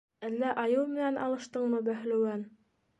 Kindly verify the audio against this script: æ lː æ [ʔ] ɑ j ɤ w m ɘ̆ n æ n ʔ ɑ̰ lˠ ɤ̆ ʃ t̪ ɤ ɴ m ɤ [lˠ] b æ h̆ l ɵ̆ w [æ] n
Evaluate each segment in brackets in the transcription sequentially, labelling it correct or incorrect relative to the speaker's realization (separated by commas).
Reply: correct, incorrect, correct